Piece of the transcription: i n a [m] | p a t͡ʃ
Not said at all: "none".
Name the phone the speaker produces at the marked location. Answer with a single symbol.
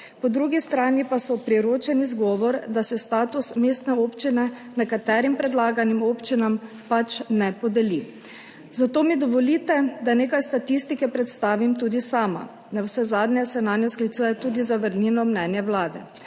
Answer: m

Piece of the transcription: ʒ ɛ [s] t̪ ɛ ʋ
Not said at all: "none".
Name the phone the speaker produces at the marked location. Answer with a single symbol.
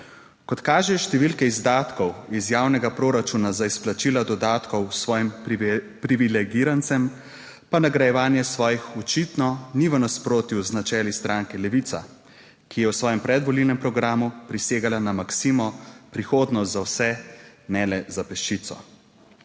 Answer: ʃ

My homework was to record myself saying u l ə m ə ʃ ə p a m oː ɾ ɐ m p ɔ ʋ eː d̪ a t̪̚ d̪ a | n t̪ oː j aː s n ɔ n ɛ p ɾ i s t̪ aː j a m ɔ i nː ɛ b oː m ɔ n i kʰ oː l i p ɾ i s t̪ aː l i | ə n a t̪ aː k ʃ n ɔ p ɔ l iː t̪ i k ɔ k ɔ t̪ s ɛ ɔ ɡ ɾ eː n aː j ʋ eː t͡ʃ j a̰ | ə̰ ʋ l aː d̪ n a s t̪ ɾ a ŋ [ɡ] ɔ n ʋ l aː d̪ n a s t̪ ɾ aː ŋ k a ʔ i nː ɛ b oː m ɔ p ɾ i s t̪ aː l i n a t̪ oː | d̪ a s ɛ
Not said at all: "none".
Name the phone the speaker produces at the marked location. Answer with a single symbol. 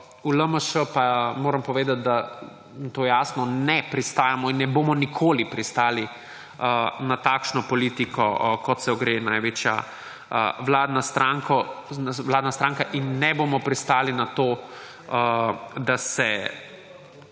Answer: k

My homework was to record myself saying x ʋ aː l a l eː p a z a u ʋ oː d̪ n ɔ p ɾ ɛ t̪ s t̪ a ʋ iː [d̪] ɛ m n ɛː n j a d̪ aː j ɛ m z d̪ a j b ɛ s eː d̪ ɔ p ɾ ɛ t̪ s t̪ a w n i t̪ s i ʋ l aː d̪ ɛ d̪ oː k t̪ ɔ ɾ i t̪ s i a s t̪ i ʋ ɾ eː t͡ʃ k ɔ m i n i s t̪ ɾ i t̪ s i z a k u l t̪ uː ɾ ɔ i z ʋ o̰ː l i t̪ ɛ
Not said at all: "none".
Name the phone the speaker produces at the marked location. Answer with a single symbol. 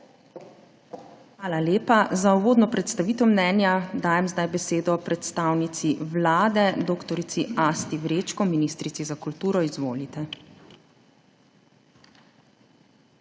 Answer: t̪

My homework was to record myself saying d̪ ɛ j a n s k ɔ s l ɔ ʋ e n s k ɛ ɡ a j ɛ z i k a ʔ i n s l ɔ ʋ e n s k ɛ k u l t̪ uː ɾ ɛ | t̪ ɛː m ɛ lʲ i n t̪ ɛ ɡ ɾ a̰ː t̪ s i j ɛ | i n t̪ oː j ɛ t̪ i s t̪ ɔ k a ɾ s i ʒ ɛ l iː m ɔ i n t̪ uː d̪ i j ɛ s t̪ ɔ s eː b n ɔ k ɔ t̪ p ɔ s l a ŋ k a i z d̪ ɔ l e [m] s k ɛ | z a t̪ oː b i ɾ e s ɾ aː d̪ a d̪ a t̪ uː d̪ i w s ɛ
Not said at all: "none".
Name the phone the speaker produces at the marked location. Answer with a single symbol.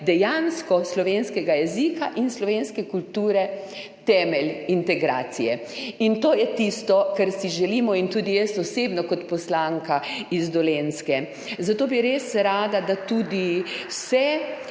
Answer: n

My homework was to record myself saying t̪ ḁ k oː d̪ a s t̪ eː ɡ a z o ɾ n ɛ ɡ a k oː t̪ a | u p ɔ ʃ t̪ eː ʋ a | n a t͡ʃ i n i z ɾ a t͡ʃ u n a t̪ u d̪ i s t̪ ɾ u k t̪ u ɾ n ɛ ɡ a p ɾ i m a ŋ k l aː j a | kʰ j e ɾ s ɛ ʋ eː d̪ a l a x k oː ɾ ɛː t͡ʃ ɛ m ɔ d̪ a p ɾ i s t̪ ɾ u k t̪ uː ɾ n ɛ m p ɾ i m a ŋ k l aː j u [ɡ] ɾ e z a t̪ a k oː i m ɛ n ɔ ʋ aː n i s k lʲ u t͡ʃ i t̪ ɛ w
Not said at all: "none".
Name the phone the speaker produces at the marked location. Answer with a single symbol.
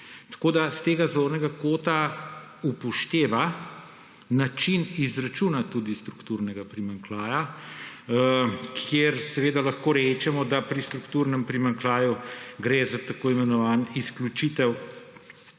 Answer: ɡ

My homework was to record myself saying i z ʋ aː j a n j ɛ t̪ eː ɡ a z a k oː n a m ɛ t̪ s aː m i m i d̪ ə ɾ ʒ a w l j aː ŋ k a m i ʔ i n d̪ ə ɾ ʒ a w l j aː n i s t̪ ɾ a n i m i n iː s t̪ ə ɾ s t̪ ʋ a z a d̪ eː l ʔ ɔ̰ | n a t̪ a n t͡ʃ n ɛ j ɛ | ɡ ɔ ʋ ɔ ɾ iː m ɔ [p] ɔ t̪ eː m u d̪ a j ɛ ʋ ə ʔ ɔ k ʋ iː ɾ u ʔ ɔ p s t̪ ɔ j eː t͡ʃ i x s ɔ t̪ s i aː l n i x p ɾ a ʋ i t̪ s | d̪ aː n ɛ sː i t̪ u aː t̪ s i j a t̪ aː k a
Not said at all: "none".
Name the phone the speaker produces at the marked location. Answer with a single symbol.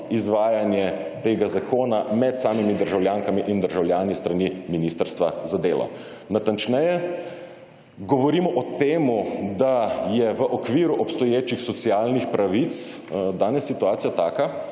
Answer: ʔ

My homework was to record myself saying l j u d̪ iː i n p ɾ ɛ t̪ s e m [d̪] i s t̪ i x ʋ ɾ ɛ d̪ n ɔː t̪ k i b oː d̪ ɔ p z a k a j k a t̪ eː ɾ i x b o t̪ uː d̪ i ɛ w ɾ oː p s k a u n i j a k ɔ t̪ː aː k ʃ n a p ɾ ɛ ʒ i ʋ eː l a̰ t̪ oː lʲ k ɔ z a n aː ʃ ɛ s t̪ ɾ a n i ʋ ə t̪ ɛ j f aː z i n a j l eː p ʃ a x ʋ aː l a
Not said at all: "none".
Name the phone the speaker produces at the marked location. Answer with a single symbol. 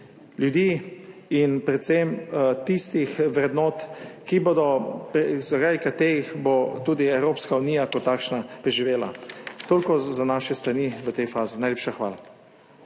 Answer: t̪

